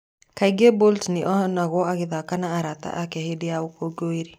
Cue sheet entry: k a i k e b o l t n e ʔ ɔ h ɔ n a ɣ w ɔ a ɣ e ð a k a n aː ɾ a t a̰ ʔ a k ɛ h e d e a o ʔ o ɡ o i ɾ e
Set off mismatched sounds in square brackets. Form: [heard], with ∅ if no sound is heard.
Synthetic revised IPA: k a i [ɡ] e b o l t n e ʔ ɔ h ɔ n a ɣ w ɔ a ɣ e ð a k a n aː ɾ a t a̰ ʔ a k ɛ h e d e a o [k] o ɡ o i ɾ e